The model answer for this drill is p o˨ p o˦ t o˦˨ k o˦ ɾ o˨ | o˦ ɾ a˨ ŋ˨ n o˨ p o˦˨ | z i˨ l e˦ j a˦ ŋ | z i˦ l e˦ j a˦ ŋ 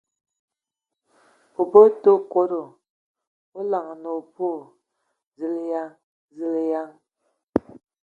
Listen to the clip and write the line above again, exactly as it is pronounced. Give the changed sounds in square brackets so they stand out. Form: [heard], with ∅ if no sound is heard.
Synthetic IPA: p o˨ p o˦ t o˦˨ k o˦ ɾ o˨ | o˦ [l] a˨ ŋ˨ n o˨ p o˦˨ | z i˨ l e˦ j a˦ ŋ | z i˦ l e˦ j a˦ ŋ